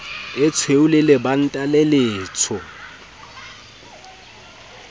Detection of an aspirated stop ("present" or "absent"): present